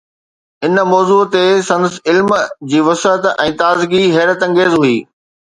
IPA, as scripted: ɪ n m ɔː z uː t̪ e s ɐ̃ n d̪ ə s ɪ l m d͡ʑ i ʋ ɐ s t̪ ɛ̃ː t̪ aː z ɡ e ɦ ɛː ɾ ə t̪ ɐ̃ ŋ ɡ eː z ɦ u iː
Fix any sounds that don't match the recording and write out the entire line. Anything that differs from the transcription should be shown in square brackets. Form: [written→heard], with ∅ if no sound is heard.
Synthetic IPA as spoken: ɪ n m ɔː z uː t̪ e s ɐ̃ n d̪ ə s ɪ l m d͡ʑ [i→iː] ʋ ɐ s t̪ ɛ̃ː t̪ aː z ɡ [e→i] ɦ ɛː ɾ ə t̪ ɐ̃ ŋ ɡ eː z ɦ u iː